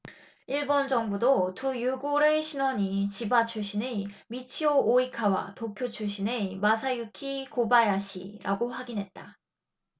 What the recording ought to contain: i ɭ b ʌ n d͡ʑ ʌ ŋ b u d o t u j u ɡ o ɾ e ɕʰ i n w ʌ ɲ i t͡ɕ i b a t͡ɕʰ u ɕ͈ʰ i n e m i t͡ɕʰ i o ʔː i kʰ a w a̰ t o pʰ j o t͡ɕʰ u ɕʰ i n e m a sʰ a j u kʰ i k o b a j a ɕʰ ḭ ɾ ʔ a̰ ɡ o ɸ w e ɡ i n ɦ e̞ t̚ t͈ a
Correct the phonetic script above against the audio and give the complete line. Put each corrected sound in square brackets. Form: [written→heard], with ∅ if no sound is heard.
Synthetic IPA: i ɭ b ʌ n d͡ʑ ʌ ŋ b u d o t u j u ɡ o ɾ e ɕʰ i n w ʌ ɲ i t͡ɕ i b a t͡ɕʰ u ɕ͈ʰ i n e m i t͡ɕʰ i o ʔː i kʰ a w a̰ t o [pʰ→kʰ] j o t͡ɕʰ u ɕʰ i n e m a sʰ a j u kʰ i k o b a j a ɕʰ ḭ ɾ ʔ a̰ ɡ o ɸ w [e→a] ɡ i n ɦ e̞ t̚ t͈ a